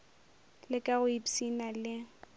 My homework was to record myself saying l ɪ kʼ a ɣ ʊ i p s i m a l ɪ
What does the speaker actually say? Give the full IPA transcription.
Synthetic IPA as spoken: l ɪ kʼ a ɣ ʊ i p s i n a l ɪ